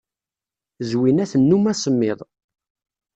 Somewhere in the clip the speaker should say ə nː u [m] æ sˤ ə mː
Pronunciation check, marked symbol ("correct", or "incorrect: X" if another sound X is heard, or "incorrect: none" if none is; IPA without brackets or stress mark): correct